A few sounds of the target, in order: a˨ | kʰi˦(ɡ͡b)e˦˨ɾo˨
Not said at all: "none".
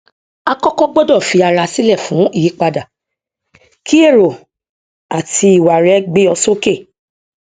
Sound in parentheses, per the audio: none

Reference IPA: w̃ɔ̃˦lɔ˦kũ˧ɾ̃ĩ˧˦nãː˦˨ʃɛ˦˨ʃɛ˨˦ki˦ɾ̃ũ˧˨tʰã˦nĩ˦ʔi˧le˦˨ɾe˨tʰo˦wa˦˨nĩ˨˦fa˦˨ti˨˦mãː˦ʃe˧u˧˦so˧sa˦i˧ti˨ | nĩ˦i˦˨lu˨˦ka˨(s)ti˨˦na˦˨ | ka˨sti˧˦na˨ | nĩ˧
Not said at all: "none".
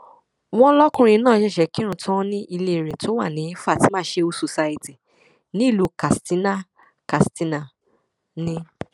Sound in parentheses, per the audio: s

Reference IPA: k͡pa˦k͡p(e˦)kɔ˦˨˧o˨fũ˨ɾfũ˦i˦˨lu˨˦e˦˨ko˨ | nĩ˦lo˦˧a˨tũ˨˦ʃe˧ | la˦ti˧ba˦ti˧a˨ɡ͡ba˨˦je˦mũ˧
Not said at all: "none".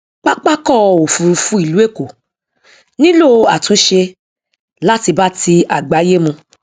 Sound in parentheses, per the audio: a˦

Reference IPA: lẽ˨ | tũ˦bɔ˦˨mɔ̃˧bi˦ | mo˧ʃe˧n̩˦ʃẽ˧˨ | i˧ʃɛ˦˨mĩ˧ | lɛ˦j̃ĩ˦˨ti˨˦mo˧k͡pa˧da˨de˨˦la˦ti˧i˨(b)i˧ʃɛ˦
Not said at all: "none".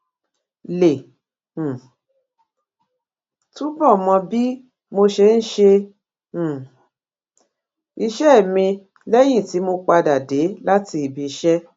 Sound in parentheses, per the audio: b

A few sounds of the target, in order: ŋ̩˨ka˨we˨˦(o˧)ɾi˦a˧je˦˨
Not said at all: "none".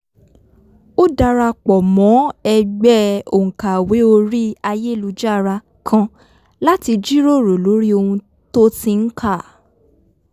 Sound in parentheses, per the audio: o˧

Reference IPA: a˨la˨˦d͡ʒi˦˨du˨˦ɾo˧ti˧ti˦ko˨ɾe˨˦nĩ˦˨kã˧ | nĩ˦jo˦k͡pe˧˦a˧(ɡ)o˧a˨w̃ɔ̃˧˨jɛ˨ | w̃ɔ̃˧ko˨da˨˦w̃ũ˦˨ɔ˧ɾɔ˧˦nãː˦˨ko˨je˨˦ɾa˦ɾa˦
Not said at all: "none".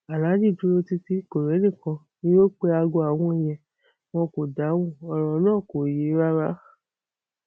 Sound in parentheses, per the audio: ɡ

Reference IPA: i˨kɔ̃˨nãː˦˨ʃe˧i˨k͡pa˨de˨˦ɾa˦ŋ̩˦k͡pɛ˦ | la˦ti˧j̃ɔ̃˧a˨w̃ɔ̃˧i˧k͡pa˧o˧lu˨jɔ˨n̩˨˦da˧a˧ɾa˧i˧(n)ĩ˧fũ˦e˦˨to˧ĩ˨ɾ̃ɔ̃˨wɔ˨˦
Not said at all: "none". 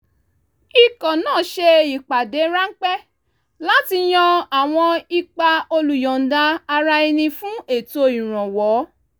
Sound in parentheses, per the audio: n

